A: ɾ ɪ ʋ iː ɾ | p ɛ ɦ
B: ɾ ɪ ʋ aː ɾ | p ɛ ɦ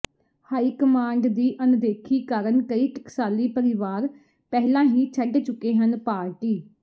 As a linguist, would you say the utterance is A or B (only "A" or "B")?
B